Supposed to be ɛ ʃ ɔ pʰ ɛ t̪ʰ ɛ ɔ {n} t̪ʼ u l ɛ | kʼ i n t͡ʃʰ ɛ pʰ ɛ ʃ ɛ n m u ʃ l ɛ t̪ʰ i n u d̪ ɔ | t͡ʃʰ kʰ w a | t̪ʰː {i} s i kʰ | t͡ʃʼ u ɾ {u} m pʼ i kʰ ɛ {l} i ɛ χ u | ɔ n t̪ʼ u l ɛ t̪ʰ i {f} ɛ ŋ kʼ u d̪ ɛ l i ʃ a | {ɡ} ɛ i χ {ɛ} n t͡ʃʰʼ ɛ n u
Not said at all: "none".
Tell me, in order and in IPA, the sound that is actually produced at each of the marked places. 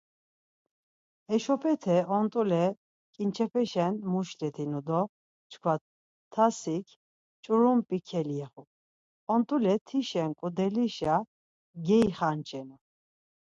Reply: n, a, u, l, ʃ, ɡ, a

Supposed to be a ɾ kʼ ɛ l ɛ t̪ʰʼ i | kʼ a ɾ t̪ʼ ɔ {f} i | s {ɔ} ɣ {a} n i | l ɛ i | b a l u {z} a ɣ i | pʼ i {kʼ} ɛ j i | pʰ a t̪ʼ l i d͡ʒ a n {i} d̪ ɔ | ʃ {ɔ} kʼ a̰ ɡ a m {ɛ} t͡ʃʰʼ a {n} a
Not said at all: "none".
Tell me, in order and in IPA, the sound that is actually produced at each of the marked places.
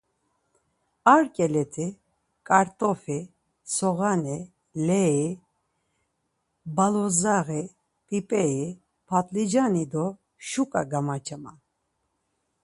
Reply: f, ɔ, a, z, pʼ, i, u, a, m

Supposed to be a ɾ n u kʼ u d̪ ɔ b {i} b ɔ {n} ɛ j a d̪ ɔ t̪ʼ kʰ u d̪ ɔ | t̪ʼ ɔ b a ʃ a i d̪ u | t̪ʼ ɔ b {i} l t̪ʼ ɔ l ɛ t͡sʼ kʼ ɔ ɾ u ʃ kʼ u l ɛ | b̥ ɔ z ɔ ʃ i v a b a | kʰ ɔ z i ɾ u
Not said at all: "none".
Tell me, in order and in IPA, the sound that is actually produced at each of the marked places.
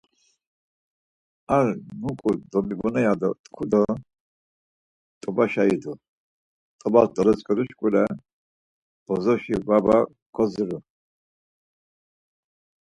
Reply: i, n, a

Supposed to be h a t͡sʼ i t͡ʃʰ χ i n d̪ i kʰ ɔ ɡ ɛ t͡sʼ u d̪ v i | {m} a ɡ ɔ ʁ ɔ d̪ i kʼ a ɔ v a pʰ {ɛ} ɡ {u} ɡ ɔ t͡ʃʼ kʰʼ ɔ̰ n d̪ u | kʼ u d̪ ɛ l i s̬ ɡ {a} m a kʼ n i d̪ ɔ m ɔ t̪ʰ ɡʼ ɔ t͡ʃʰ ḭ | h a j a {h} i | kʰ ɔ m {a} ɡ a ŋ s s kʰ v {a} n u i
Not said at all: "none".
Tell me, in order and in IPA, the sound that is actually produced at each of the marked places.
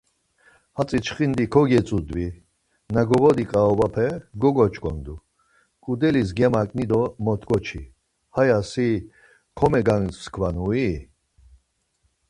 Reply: n, ɛ, ɔ, ɛ, s, ɛ, a

